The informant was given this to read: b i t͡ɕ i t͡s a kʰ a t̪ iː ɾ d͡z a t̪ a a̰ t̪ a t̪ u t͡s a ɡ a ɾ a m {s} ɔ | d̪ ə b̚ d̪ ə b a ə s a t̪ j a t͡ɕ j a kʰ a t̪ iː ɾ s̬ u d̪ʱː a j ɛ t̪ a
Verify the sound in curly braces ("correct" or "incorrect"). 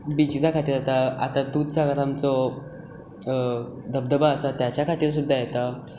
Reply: incorrect